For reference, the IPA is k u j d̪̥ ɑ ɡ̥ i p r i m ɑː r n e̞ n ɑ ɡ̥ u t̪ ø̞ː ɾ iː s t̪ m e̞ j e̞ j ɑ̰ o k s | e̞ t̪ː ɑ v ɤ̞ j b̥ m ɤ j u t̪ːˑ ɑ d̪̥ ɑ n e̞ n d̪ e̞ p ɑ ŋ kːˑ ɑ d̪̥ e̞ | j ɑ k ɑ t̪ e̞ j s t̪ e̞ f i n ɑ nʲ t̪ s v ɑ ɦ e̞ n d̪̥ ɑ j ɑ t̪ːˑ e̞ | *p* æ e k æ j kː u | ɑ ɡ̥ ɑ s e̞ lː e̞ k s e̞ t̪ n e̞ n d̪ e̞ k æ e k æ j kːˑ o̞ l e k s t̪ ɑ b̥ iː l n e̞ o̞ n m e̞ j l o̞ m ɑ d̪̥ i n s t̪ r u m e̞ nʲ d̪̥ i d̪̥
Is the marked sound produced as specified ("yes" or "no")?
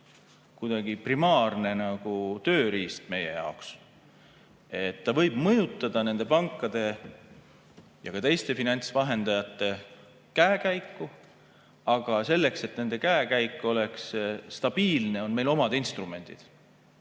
no